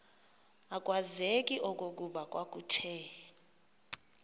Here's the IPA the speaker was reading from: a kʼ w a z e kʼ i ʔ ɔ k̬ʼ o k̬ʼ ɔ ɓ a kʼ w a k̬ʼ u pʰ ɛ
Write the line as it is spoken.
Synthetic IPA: a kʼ w a z e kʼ i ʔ ɔ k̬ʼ o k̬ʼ u ɓ a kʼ w a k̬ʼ u tʰ ɛ